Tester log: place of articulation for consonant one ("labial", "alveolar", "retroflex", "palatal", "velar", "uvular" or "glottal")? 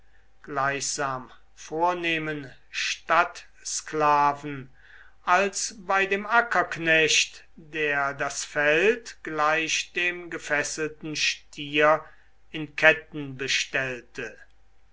velar